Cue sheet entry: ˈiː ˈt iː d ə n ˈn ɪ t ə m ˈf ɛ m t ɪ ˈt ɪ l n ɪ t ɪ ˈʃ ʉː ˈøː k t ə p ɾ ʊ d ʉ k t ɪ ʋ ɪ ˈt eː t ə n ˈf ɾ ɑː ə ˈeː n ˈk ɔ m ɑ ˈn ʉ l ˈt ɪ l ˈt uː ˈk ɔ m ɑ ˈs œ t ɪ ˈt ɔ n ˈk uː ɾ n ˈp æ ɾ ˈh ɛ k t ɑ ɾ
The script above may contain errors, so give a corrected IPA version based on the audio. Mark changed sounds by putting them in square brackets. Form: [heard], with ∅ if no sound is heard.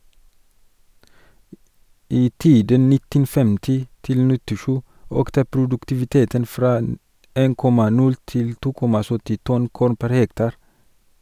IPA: ˈiː ˈt iː d ə n ˈn ɪ t ə [n] ˈf ɛ m t ɪ ˈt ɪ l n ɪ t ɪ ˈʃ ʉː ˈøː k t ə p ɾ ʊ d ʉ k t ɪ ʋ ɪ ˈt eː t ə n ˈf ɾ ɑː ə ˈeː n ˈk ɔ m ɑ ˈn ʉ l ˈt ɪ l ˈt uː ˈk ɔ m ɑ ˈs œ t ɪ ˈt ɔ n ˈk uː ɾ n ˈp æ ɾ ˈh ɛ k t ɑ ɾ